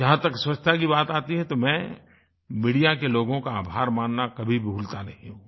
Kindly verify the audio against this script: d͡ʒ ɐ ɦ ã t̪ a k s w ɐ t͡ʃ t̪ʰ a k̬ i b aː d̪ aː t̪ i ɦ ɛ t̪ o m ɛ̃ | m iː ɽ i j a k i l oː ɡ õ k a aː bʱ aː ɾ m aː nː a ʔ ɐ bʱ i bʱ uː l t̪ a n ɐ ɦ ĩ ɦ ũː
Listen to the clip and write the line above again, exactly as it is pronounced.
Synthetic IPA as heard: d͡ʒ ɐ ɦ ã t̪ ɐ k s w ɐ t͡ʃ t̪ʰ a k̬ i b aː t̪ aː t̪ i ɦ ɛ t̪ o m ɛ̃ | m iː ɽ i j a k e l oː ɡ õ k a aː bʱ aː ɾ m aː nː a k ɐ bʱ i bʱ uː l t̪ a n ɐ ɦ ĩ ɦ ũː